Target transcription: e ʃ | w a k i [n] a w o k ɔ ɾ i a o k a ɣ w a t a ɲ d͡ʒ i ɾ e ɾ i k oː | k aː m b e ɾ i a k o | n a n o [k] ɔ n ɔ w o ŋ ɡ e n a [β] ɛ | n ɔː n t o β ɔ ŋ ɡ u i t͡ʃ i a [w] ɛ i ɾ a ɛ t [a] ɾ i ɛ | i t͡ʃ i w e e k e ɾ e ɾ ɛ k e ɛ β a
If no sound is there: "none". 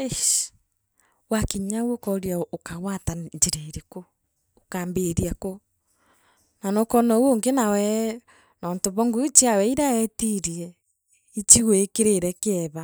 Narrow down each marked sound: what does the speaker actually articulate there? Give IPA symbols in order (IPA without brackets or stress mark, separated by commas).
ɲ, k, w, w, i